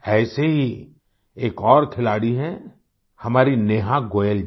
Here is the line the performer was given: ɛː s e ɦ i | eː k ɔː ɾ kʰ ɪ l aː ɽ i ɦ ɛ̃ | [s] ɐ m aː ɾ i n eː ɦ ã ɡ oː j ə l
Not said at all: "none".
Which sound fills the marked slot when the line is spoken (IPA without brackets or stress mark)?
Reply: h